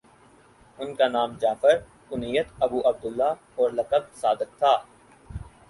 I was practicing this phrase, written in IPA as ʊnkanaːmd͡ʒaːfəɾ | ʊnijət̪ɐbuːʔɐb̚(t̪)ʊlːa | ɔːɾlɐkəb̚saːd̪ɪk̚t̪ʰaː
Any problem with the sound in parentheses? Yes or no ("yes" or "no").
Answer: yes